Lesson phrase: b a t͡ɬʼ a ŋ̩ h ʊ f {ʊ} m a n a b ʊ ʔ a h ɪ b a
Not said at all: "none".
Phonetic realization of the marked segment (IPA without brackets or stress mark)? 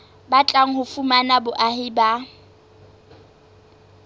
u